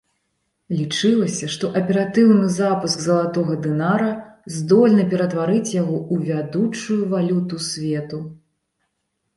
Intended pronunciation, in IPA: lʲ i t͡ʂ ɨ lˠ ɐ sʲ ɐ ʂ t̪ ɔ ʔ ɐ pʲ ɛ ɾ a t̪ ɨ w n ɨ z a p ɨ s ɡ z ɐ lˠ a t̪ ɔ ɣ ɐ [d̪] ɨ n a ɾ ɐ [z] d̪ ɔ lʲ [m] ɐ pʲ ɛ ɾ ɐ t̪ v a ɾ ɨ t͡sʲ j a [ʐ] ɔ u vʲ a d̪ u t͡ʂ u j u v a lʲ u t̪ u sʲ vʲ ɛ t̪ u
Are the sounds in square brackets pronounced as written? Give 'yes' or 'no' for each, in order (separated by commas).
yes, yes, no, no